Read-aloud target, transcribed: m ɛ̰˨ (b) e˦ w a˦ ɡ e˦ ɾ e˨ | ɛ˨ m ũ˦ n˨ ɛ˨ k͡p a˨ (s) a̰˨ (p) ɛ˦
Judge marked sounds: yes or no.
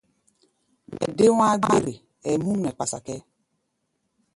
no, yes, no

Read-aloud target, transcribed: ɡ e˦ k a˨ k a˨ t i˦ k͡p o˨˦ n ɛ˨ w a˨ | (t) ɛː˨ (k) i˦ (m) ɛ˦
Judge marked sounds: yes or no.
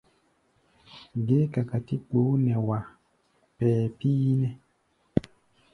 no, no, no

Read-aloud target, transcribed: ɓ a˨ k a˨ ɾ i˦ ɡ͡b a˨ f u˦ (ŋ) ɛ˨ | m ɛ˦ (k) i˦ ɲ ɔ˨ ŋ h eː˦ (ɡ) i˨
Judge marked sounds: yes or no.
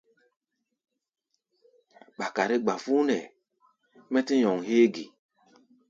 no, no, yes

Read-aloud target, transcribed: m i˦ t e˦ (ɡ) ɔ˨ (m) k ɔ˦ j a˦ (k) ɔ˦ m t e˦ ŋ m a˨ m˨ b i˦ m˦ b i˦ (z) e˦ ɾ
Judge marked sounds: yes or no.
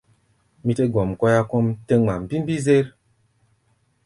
yes, yes, yes, yes

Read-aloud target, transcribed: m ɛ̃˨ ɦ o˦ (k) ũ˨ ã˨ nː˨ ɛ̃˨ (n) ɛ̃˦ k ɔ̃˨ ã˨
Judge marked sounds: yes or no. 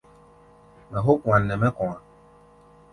yes, no

